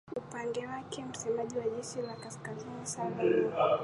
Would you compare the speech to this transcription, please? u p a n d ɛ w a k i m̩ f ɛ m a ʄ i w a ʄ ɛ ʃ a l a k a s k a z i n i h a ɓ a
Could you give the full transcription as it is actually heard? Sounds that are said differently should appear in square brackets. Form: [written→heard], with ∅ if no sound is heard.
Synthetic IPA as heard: u p a n d ɛ w a k [i→ɛ] m̩ [f→s] ɛ m a ʄ i w a ʄ ɛ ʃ [a→i] l a k a s k a z i n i [h→s] a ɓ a